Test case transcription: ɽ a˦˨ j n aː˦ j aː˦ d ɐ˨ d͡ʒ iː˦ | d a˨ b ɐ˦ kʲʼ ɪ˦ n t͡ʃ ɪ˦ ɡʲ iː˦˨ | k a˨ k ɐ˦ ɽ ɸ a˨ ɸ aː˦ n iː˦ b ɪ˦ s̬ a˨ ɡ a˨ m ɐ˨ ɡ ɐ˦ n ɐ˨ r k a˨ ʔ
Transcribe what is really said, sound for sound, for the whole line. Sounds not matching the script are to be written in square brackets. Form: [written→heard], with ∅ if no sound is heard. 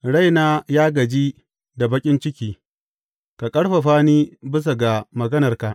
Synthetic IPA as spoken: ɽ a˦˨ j n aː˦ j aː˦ [d→ɡ] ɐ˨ d͡ʒ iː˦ | d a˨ b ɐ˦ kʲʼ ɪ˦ n t͡ʃ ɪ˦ [ɡʲ→kʲ] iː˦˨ | k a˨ [k→kʼ] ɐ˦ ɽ ɸ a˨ ɸ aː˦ n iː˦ b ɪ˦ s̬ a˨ ɡ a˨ m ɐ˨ ɡ ɐ˦ n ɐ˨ r k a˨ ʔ